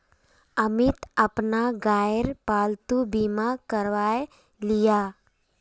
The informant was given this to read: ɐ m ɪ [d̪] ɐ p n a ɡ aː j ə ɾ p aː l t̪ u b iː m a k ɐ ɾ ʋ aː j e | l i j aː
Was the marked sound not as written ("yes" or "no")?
yes